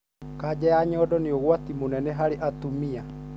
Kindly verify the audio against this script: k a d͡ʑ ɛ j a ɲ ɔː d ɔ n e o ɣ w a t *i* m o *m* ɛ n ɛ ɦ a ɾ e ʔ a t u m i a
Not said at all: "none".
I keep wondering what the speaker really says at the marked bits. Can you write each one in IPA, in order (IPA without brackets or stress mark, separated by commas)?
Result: i, n